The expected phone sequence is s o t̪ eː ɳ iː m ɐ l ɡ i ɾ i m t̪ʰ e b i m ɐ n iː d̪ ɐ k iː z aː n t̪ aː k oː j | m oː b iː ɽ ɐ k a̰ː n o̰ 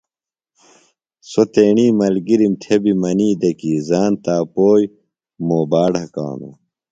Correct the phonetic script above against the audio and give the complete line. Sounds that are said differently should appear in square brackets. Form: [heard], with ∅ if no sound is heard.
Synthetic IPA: s o t̪ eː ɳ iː m ɐ l ɡ i ɾ i m t̪ʰ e b i m ɐ n iː d̪ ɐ k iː z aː n t̪ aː [p] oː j | m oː b [aː] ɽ ɐ k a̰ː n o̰